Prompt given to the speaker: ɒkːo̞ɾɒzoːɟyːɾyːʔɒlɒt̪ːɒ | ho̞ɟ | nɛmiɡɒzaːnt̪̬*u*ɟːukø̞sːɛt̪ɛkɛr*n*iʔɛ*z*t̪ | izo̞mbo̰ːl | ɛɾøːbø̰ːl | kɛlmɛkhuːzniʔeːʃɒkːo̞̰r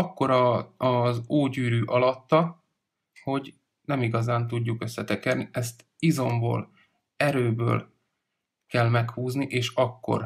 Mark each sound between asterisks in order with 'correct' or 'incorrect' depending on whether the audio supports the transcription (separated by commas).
correct, correct, incorrect